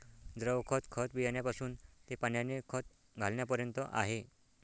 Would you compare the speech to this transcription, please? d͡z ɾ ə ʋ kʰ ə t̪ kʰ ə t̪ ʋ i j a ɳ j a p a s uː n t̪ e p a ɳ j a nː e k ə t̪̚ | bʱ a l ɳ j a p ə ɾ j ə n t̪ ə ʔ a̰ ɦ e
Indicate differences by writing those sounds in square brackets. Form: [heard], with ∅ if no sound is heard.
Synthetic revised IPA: d͡z ɾ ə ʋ kʰ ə t̪ kʰ ə t̪ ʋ i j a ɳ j a p a s uː n t̪ e p a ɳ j a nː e [kʰ] ə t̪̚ | [ɡʱ] a l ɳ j a p ə ɾ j ə n t̪ ə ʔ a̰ ɦ e